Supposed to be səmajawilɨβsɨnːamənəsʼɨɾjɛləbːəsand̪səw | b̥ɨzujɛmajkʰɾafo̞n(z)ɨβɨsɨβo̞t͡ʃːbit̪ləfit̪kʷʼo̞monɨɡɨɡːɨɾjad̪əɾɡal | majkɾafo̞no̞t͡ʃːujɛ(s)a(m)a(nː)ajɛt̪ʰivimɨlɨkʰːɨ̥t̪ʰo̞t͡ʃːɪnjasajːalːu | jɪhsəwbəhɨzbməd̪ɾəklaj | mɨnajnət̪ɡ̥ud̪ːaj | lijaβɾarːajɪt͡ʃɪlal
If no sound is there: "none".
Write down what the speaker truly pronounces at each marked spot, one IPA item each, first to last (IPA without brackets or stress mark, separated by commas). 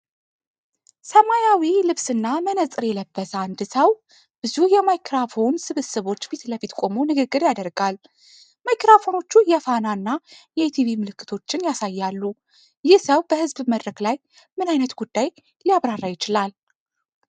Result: s, f, n, nː